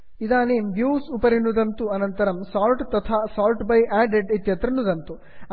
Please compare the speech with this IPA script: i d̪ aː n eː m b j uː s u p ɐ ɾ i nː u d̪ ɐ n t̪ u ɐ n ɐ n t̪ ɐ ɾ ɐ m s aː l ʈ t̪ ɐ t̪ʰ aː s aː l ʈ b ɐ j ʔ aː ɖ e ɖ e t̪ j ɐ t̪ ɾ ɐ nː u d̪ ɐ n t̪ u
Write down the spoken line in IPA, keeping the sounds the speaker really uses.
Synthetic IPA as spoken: i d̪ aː n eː m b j uː s u p ɐ ɾ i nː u d̪ ɐ n t̪ u ɐ n ɐ n t̪ ɐ ɾ ɐ m s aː l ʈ t̪ ɐ t̪ʰ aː s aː l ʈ b ɐ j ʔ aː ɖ e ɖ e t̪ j ɐ t̪ ɾ ɐ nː u d̪ ɐ n t̪ u